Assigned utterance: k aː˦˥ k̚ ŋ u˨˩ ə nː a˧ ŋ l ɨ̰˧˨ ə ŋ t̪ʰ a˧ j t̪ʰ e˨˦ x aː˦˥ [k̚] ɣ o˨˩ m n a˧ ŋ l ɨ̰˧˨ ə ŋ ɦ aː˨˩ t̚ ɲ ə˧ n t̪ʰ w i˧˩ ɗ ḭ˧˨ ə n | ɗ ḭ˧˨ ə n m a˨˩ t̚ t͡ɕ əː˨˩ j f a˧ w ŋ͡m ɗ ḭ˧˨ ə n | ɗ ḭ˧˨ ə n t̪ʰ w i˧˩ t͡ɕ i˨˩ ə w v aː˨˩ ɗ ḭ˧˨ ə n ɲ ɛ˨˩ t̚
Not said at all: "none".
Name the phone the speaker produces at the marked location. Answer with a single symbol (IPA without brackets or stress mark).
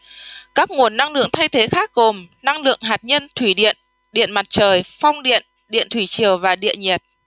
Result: k̚